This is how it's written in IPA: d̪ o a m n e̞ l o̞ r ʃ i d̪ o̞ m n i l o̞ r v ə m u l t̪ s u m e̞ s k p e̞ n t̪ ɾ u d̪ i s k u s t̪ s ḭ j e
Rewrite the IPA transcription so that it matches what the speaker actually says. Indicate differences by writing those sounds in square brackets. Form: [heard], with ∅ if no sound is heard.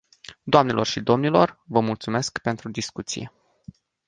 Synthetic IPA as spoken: d̪ o a m n e̞ l o̞ r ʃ i d̪ o̞ m n i l o̞ r v ə m u l t̪ s u m e̞ s k p e̞ n t̪ ɾ u d̪ i s k u [∅] t̪ s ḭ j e